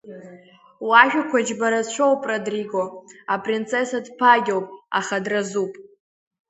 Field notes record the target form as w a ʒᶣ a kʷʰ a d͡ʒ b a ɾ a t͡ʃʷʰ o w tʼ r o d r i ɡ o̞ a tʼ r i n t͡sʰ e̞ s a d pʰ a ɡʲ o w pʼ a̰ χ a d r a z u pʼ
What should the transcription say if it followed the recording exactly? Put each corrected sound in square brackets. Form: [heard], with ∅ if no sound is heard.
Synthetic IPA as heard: w a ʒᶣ a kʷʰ a d͡ʒ b a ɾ a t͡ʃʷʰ o w [pʼ] r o d r i ɡ o̞ a [pʼ] r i n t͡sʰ e̞ s a d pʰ a ɡʲ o w pʼ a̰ χ a d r a z u pʼ